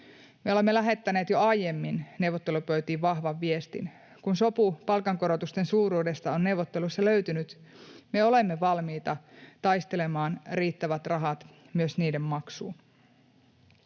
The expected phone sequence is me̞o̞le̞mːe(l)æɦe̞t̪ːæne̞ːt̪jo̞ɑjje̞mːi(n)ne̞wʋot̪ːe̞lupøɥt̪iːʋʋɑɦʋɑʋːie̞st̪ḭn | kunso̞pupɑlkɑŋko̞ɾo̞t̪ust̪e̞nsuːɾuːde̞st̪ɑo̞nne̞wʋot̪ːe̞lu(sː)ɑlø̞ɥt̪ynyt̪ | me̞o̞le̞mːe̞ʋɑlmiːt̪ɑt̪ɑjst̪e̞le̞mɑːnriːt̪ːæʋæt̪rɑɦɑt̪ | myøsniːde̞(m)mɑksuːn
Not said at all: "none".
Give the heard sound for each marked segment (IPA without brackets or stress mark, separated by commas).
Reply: l, n, sː, m